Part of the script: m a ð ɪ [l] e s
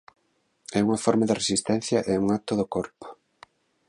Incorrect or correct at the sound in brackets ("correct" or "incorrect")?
incorrect